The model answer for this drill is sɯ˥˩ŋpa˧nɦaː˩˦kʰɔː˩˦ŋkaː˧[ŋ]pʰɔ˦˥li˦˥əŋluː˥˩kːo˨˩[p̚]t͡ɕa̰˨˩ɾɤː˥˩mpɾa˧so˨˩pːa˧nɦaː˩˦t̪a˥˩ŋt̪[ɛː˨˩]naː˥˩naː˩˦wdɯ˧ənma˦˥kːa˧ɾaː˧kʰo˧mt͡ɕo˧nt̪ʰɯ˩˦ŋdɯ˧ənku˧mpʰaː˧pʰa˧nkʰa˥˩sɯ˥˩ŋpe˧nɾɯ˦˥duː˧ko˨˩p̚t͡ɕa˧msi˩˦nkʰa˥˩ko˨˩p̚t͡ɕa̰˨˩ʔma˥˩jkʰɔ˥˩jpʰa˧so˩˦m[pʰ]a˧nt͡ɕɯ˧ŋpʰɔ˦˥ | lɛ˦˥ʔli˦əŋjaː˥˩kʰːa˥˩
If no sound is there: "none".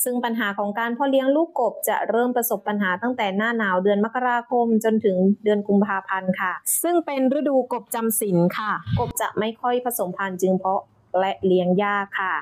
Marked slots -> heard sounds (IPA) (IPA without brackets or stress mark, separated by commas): n, p̚, ɛː˨˩, pʰ